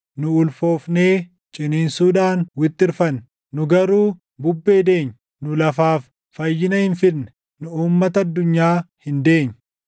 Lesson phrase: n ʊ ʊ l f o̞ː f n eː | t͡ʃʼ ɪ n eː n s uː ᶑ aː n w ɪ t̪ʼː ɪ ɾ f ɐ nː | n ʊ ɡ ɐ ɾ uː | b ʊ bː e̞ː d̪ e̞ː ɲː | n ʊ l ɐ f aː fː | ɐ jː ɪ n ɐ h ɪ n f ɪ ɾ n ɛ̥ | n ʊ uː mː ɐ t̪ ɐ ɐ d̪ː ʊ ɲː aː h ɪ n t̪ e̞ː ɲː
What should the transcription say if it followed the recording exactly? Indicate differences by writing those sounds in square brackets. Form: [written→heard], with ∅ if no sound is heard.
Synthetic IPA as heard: n ʊ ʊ l f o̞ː f n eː | t͡ʃʼ ɪ n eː n s uː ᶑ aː n w ɪ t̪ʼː ɪ ɾ f ɐ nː | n ʊ ɡ ɐ ɾ uː | b ʊ bː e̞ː d̪ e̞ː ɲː | n ʊ l ɐ f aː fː | ɐ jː ɪ n ɐ h ɪ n f ɪ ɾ n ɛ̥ | n ʊ uː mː ɐ t̪ ɐ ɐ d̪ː ʊ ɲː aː h ɪ n [t̪→d̪] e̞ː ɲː